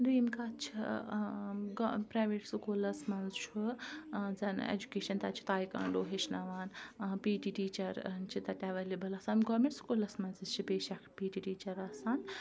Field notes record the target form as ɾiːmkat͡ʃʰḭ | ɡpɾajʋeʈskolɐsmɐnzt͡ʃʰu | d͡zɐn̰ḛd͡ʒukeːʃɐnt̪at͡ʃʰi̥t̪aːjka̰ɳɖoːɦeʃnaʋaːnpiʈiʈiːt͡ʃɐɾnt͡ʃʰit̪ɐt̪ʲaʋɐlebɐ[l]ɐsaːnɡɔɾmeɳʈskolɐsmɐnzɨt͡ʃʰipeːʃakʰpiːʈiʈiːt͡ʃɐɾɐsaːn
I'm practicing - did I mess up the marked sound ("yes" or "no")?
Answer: no